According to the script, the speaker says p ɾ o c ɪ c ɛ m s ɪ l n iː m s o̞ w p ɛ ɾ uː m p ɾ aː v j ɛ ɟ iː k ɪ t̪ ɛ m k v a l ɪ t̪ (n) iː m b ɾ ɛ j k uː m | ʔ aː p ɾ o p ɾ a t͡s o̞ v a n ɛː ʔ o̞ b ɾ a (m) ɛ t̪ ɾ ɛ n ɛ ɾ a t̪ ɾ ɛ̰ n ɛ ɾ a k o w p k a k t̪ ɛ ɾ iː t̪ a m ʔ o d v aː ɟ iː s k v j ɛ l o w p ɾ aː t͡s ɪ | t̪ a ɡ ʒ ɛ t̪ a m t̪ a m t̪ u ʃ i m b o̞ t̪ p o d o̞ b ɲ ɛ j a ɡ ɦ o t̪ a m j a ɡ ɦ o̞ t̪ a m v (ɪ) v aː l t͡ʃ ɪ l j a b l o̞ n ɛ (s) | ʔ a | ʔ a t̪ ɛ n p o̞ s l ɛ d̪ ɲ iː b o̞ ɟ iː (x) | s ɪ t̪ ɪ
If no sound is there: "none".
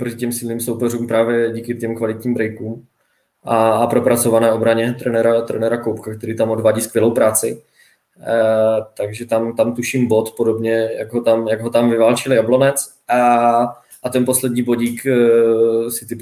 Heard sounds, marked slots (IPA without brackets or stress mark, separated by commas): ɲ, ɲ, ɪ, t͡s, k